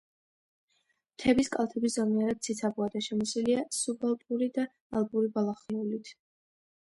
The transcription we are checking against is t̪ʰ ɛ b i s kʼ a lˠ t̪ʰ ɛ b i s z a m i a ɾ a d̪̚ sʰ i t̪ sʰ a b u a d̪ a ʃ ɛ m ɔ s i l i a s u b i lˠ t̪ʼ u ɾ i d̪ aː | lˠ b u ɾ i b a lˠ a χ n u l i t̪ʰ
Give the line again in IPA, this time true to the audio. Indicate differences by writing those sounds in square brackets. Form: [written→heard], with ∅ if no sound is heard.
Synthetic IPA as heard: t̪ʰ ɛ b i s kʼ a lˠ t̪ʰ ɛ b i s z a m i a ɾ a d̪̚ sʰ i t̪ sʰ a b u a d̪ a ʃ ɛ m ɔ s i l i a s u b [i→a] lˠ t̪ʼ u ɾ i d̪ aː | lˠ b u ɾ i b a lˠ a χ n u l i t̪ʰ

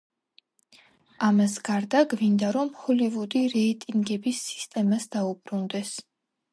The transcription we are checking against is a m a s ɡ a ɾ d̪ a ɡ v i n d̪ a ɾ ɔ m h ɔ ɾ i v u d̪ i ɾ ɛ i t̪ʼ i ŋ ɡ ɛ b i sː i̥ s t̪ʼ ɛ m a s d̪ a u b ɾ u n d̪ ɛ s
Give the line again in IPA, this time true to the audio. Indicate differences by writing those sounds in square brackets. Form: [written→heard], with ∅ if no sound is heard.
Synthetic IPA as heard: a m a s ɡ a ɾ d̪ a ɡ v i n d̪ a ɾ ɔ m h ɔ [ɾ→l] i v u d̪ i ɾ ɛ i t̪ʼ i ŋ ɡ ɛ b i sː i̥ s t̪ʼ ɛ m a s d̪ a u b ɾ u n d̪ ɛ s

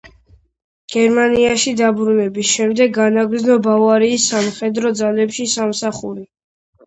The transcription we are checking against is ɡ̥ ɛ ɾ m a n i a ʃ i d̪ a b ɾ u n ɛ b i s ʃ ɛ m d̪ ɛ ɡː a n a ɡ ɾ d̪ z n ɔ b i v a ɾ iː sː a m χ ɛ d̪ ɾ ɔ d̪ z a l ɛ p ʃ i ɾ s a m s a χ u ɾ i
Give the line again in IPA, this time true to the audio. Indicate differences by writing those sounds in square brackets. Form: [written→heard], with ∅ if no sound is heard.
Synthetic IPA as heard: ɡ̥ ɛ ɾ m a n i a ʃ i d̪ a b ɾ u n ɛ b i s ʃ ɛ m d̪ ɛ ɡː a n a ɡ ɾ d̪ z n ɔ b [i→a] v a ɾ iː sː a m χ ɛ d̪ ɾ ɔ d̪ z a l ɛ p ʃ i [ɾ→∅] s a m s a χ u ɾ i

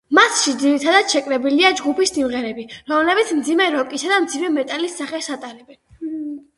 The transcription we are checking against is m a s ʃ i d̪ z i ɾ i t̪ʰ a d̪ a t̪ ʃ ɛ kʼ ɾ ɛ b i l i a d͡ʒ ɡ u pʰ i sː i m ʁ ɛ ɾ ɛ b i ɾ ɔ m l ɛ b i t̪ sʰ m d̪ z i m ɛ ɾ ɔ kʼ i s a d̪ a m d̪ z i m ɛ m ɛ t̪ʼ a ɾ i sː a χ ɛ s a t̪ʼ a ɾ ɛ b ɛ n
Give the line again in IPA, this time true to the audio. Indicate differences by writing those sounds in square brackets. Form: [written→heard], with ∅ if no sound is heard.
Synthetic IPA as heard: m a s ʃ i d̪ z i ɾ i t̪ʰ a d̪ a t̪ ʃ ɛ kʼ ɾ ɛ b i l i a d͡ʒ ɡ u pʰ i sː i m ʁ ɛ ɾ ɛ b i ɾ ɔ m l ɛ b i t̪ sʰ m d̪ z i m ɛ ɾ ɔ kʼ i s a d̪ a m d̪ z i m ɛ m ɛ t̪ʼ a [ɾ→l] i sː a χ ɛ s a t̪ʼ a ɾ ɛ b ɛ n

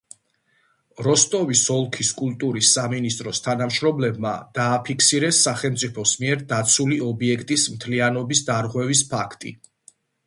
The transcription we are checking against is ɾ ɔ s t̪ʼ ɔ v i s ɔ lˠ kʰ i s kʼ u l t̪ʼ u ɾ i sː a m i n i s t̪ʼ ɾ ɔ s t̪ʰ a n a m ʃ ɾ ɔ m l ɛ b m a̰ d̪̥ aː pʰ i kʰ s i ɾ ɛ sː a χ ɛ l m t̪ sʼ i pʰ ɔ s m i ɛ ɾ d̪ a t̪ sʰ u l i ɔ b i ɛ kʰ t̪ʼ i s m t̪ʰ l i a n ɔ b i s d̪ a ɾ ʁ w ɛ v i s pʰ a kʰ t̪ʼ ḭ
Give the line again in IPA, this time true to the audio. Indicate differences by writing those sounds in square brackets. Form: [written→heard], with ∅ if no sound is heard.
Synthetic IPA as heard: ɾ ɔ s t̪ʼ ɔ v i s ɔ lˠ kʰ i s kʼ u l t̪ʼ u ɾ i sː a m i n i s t̪ʼ ɾ ɔ s t̪ʰ a n a m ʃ ɾ ɔ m l ɛ b m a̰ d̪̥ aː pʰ i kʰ s i ɾ ɛ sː a χ ɛ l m t̪ sʼ i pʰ ɔ s m i ɛ ɾ d̪ a t̪ sʰ u l i ɔ b i ɛ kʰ t̪ʼ i s m t̪ʰ l i a n ɔ b i s d̪ a ɾ ʁ w ɛ v i s pʰ a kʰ t̪ʼ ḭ

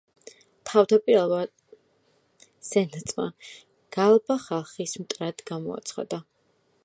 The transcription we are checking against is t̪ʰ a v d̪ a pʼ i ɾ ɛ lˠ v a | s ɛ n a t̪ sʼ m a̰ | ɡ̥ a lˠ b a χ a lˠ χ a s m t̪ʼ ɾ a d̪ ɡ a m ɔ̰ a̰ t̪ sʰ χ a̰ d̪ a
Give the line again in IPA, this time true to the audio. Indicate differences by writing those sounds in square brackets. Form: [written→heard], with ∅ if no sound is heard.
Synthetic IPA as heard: t̪ʰ a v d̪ a pʼ i ɾ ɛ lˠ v a | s ɛ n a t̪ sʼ m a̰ | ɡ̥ a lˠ b a χ a lˠ χ [a→i] s m t̪ʼ ɾ a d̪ ɡ a m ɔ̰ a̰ t̪ sʰ χ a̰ d̪ a

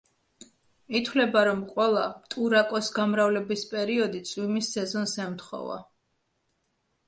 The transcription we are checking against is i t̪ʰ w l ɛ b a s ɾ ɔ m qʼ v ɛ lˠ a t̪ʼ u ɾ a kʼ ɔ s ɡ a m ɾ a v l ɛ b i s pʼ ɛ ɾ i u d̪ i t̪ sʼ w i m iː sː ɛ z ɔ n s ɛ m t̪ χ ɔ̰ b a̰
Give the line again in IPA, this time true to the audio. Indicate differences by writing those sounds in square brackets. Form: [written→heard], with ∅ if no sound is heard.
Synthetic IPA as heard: i t̪ʰ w l ɛ b a [s→∅] ɾ ɔ m qʼ [v→w] ɛ lˠ a t̪ʼ u ɾ a kʼ ɔ s ɡ a m ɾ a v l ɛ b i s pʼ ɛ ɾ i [u→ɔ] d̪ i t̪ sʼ w i m [iː→i] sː ɛ z ɔ n s ɛ m t̪ χ ɔ̰ [b→v] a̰

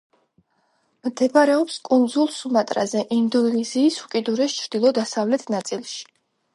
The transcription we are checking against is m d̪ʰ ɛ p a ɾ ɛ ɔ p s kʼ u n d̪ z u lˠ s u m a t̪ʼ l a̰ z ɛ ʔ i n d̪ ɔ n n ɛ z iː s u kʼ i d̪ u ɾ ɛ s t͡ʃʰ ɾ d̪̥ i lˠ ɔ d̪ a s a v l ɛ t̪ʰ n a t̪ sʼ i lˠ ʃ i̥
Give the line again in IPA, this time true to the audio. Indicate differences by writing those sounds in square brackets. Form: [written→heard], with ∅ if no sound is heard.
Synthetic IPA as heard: m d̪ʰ ɛ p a ɾ ɛ ɔ p s kʼ u n d̪ z u lˠ s u m a t̪ʼ [l→ɾ] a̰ z ɛ ʔ i n d̪ ɔ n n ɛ z iː s u kʼ i d̪ u ɾ ɛ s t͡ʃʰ ɾ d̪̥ i lˠ ɔ d̪ a s a v l ɛ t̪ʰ n a t̪ sʼ i lˠ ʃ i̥

